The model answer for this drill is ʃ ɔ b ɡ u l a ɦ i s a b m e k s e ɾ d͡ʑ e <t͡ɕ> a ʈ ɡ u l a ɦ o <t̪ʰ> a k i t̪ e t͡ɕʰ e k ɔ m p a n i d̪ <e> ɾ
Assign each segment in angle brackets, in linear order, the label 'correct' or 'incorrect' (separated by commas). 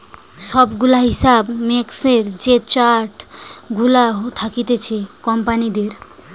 correct, correct, correct